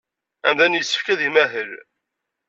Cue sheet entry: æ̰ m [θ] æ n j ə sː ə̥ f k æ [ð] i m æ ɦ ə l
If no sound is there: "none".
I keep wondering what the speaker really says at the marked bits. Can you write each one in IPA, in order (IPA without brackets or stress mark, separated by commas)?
ð, ð